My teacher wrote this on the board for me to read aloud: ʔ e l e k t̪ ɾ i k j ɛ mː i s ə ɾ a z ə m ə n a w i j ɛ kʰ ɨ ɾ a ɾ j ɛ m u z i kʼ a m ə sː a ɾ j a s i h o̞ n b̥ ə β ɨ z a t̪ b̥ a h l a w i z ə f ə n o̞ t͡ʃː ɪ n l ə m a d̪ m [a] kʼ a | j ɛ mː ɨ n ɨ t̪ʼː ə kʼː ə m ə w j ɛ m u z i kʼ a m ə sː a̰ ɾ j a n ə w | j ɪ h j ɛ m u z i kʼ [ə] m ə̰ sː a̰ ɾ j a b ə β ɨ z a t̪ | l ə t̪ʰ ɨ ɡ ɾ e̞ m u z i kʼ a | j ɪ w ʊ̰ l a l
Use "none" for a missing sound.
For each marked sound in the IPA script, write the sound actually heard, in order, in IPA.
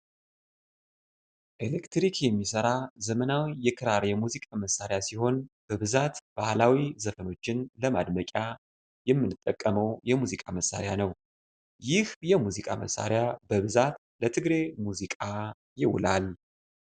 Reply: ə, a

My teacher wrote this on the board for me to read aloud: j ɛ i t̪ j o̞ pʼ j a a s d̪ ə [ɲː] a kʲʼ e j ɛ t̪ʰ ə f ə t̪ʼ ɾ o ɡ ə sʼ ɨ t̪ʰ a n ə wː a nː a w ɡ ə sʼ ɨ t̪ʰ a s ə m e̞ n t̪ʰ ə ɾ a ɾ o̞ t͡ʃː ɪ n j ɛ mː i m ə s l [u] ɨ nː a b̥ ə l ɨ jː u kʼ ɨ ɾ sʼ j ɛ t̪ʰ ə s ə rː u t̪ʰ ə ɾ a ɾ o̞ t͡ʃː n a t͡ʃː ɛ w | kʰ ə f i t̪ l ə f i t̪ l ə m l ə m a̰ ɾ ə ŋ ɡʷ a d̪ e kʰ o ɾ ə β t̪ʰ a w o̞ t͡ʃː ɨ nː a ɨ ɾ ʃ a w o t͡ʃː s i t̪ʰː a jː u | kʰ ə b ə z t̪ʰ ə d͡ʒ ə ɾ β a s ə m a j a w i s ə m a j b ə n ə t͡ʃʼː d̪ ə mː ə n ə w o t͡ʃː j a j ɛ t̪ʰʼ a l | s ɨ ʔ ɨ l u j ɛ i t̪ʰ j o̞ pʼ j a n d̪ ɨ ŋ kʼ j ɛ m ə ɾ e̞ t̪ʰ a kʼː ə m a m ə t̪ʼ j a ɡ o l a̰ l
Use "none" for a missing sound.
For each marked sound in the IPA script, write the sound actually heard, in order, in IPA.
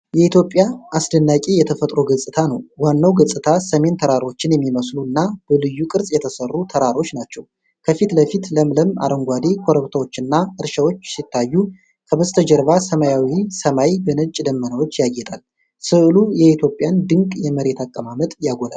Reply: nː, u

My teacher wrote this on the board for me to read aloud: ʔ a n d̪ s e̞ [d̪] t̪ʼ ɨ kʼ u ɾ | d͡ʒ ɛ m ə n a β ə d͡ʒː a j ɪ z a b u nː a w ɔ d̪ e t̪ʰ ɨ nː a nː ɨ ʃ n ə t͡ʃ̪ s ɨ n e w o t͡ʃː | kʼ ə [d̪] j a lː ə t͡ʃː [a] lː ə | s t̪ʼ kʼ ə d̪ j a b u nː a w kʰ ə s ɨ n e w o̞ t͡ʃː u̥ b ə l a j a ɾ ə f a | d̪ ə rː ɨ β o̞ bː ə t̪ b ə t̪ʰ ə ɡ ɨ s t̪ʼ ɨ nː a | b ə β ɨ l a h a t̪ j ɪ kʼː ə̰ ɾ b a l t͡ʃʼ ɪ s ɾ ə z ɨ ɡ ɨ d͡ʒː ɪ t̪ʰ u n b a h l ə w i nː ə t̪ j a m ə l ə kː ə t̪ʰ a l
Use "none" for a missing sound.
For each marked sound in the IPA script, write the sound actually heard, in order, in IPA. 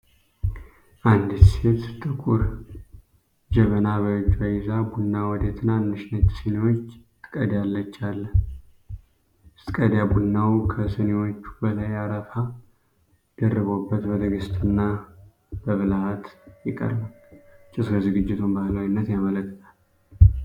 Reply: t̪, d̪, a

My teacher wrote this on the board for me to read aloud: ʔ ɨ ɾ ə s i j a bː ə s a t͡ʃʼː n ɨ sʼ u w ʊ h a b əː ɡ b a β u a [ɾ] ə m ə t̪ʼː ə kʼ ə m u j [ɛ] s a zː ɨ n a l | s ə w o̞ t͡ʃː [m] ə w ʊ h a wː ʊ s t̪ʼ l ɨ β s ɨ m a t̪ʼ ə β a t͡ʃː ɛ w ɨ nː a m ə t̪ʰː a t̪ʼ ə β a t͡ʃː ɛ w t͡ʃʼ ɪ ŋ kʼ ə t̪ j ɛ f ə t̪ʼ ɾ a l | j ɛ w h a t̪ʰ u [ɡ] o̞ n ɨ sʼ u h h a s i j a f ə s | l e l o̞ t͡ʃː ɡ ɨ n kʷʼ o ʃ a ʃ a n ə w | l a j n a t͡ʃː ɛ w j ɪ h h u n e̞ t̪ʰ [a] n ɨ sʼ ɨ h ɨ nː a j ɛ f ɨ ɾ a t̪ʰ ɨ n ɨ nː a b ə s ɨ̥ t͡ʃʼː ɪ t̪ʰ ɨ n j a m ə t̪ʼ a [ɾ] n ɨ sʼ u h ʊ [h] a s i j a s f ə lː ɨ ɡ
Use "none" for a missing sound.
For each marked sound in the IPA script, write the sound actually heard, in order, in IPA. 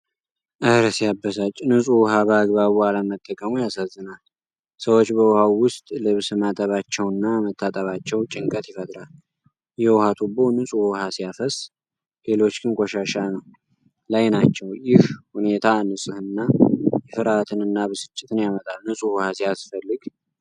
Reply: l, a, b, b, a, l, h

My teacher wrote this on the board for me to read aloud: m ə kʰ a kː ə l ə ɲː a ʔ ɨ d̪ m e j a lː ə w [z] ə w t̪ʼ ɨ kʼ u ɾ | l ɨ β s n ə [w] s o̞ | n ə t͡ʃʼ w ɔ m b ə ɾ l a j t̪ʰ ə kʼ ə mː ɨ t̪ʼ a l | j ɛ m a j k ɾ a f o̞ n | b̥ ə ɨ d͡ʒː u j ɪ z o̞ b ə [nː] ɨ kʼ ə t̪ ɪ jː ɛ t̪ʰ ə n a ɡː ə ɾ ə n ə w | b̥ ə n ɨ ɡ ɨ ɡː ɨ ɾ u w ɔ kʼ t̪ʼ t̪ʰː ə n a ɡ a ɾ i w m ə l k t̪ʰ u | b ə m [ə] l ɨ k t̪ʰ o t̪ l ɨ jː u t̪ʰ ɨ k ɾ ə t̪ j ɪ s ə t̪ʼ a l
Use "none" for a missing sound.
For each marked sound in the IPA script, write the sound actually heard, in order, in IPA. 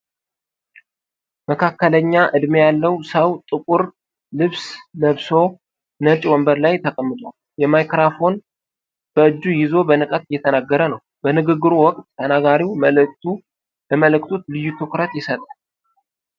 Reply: s, β, n, ə

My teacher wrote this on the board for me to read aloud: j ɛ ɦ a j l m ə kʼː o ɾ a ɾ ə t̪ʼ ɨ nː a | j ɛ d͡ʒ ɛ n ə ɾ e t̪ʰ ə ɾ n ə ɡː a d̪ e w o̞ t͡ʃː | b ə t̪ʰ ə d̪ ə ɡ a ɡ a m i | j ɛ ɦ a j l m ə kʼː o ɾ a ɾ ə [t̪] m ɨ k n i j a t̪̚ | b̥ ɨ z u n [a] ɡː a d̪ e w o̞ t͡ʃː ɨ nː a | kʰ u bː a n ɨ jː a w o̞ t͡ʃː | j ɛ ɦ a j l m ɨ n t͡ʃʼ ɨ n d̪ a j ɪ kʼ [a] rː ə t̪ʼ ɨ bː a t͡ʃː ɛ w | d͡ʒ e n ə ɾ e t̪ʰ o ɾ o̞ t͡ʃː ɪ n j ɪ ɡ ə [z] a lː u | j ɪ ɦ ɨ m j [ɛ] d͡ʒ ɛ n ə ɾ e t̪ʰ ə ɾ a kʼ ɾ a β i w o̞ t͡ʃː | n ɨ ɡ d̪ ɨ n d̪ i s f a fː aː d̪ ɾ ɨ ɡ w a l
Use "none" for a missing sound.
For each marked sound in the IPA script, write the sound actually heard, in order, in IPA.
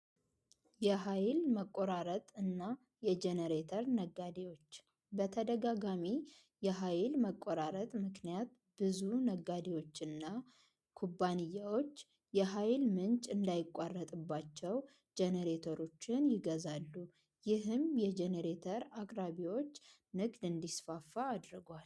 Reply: t̪ʼ, ə, a, z, ɛ

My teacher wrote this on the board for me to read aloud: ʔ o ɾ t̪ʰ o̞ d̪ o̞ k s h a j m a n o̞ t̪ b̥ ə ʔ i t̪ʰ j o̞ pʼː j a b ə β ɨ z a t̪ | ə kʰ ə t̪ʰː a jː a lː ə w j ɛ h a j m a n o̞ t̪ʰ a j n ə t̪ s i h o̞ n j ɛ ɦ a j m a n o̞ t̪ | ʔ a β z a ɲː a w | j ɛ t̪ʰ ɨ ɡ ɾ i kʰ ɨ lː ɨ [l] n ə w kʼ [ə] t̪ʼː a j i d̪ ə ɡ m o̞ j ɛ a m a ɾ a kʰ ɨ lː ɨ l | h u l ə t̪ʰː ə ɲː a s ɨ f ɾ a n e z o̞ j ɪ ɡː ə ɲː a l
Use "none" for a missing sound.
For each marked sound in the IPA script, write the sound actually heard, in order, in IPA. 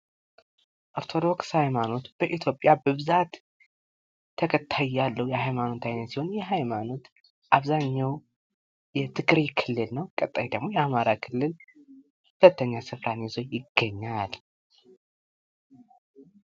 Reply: l, ə

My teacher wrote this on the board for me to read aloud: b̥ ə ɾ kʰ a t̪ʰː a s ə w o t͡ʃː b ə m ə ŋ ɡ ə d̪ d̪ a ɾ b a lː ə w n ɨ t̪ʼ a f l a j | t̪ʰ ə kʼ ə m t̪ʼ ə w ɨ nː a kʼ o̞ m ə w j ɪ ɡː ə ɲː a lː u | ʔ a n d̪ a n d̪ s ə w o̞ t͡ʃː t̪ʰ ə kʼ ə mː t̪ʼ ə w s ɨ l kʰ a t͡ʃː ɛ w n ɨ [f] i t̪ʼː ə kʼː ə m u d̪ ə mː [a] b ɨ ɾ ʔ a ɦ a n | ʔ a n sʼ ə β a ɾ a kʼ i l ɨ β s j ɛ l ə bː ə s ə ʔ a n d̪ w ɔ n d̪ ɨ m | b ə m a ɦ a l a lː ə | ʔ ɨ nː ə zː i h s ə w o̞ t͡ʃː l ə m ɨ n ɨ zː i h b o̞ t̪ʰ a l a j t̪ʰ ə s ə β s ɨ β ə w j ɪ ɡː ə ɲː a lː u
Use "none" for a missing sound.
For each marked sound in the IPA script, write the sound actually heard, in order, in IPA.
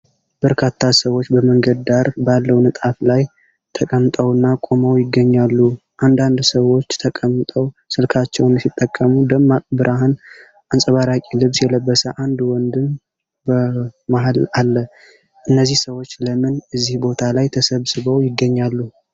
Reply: s, a

